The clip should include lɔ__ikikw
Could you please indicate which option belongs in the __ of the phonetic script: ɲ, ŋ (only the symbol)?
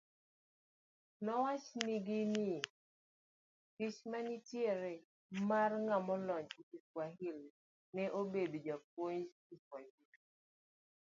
ɲ